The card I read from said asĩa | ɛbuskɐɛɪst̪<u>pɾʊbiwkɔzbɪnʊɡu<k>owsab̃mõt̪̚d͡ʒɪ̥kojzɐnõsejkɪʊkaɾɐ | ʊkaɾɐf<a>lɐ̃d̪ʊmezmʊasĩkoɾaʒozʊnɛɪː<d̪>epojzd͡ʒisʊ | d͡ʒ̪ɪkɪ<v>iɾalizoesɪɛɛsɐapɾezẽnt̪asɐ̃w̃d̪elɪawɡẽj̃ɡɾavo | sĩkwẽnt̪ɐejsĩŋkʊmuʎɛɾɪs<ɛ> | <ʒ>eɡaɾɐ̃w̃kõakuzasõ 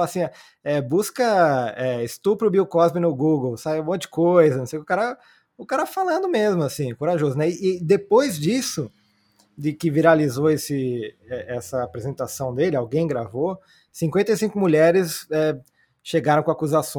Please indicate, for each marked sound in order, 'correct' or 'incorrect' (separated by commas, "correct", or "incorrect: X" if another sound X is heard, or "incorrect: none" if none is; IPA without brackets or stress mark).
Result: correct, incorrect: ɡ, correct, correct, correct, correct, incorrect: ʃ